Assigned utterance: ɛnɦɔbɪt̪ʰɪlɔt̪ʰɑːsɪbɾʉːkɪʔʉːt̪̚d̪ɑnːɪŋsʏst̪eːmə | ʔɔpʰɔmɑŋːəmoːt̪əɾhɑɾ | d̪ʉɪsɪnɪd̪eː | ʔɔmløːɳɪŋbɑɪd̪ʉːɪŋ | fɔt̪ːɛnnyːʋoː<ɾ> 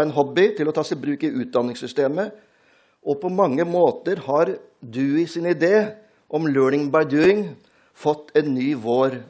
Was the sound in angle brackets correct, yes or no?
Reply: yes